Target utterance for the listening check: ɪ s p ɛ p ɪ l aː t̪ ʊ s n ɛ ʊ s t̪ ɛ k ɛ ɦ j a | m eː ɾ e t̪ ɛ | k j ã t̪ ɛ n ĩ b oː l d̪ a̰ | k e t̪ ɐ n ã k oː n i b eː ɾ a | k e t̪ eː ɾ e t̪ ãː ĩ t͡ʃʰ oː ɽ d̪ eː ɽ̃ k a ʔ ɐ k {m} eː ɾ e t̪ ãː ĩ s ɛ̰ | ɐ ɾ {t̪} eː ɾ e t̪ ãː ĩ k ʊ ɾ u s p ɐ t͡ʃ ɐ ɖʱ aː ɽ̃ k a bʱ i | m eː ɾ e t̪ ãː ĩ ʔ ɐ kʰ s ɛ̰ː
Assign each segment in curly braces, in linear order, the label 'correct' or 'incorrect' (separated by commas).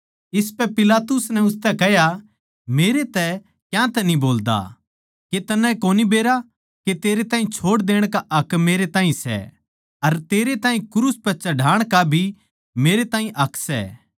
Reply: correct, correct